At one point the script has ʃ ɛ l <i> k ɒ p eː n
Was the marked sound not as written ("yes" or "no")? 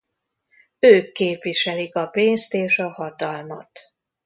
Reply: no